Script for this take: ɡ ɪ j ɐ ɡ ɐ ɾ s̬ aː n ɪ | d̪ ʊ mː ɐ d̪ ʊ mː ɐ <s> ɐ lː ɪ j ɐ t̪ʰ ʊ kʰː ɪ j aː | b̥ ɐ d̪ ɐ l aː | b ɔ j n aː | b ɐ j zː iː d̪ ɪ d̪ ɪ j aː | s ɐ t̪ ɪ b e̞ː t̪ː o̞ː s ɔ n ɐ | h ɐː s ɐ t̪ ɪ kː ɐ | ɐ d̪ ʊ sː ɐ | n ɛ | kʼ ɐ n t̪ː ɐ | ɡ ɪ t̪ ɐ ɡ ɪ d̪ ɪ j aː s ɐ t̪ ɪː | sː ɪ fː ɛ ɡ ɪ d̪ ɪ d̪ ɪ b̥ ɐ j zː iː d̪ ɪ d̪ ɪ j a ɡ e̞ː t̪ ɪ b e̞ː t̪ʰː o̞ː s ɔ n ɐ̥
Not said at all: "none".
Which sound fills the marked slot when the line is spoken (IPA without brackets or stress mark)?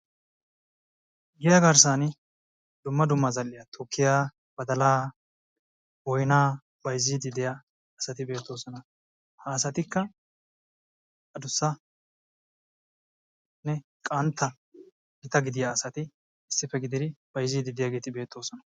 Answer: z